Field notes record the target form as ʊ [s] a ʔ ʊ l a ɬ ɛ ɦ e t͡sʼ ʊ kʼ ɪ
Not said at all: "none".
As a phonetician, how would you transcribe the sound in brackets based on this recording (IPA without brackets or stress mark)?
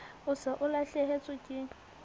s